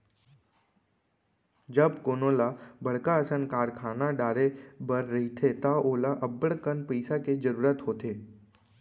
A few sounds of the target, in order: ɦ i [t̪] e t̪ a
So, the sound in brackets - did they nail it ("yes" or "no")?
no